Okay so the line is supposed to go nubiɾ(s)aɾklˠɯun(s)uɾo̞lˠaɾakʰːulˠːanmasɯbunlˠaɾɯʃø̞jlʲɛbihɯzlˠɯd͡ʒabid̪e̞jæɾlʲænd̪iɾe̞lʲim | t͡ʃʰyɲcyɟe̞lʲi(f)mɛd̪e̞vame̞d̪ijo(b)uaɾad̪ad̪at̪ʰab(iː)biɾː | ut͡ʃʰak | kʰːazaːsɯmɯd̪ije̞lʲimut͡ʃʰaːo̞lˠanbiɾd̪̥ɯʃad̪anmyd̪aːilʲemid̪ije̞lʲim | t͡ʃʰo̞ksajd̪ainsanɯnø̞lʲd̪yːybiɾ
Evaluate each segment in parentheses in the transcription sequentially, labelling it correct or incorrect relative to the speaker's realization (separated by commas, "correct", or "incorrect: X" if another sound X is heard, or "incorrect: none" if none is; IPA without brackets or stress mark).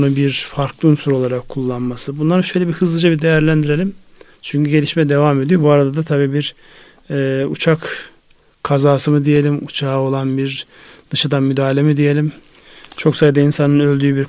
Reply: incorrect: f, correct, incorrect: ʃ, correct, correct